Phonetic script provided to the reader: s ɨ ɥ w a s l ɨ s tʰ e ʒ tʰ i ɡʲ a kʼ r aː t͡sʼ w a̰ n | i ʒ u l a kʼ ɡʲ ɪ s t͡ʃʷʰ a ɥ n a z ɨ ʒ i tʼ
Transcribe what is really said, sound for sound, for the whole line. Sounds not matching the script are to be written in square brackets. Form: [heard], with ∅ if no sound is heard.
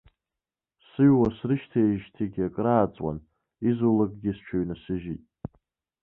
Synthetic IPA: s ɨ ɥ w a s [r] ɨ [ʃ] tʰ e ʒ tʰ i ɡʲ a kʼ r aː t͡sʼ w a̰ n | i [z] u l a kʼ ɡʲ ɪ s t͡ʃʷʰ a ɥ n a [s] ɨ ʒ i tʼ